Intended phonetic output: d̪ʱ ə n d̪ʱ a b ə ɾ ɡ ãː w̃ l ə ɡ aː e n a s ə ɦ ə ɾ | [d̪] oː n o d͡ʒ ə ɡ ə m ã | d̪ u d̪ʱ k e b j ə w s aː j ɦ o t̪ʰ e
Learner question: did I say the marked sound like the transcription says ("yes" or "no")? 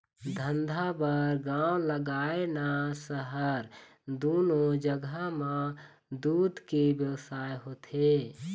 yes